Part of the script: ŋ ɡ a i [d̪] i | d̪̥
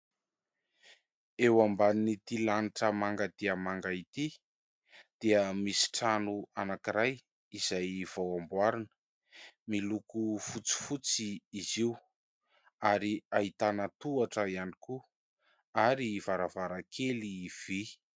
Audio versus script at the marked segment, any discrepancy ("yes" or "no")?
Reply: yes